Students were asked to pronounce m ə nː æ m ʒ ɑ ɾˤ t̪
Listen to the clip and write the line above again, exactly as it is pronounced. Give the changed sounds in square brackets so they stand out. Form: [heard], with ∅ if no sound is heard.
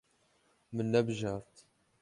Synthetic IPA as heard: m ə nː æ [b] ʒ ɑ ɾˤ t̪